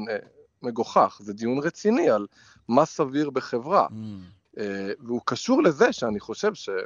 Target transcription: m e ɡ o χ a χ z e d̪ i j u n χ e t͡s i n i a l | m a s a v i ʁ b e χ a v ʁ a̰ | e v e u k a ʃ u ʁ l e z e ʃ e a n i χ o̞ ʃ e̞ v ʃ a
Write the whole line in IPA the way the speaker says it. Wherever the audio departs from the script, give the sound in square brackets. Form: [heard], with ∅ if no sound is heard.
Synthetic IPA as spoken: m e ɡ o χ a χ z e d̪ i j u n [ʁ] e t͡s i n i a l | m a s a v i ʁ b e χ [e] v ʁ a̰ | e v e u k a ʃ u ʁ l e z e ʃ e a n i χ o̞ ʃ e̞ v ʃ [e]